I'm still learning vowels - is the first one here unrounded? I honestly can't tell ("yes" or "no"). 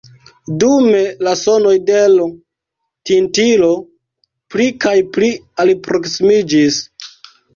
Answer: no